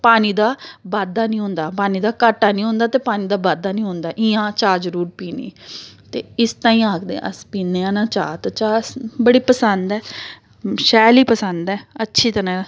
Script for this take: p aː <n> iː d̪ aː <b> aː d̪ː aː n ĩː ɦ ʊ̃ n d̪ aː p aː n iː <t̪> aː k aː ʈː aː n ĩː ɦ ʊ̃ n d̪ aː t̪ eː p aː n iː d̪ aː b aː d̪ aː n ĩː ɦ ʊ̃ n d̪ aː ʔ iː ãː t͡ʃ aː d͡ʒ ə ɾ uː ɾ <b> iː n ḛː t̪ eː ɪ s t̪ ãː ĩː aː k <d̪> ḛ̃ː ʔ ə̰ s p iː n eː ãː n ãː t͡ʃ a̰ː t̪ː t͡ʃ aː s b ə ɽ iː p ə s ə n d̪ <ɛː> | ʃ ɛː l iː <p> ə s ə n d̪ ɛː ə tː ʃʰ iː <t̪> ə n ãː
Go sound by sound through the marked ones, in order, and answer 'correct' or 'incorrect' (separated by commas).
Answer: correct, correct, incorrect, incorrect, correct, correct, correct, correct